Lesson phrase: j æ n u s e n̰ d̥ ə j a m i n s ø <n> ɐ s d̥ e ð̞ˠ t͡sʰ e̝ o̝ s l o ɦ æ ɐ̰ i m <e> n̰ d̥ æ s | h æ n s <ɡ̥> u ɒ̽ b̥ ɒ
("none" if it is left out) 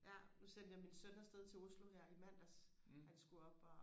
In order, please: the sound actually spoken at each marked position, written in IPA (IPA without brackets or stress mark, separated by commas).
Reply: n, æ, ɡ̥